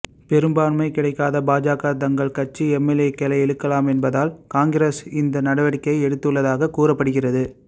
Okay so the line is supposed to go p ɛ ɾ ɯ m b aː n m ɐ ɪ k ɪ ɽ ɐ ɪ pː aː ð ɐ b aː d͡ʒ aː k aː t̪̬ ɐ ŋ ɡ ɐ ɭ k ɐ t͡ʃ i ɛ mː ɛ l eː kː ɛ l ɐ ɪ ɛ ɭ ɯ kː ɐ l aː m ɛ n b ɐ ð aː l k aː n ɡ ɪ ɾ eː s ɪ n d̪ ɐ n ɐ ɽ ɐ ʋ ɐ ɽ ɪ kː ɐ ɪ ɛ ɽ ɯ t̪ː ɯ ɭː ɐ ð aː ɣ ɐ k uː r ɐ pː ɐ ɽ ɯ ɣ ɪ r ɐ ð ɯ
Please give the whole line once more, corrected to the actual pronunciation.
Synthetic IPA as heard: p ɛ ɾ ɯ m b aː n m ɐ ɪ k ɪ ɽ ɐ ɪ kː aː ð ɐ b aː d͡ʒ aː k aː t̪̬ ɐ ŋ ɡ ɐ ɭ k ɐ t͡ʃ i ɛ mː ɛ l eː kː ɛ l ɐ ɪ ɛ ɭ ɯ kː ɐ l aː m ɛ n b ɐ ð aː l k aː ŋ ɡ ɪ ɾ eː s ɪ n d̪ ɐ n ɐ ɽ ɐ ʋ ɐ ɽ ɪ kː ɐ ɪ ɛ ɽ ɯ t̪ː ɯ ɭː ɐ ð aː ɣ ɐ k uː r ɐ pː ɐ ɽ ɯ ɣ ɪ r ɐ ð ɯ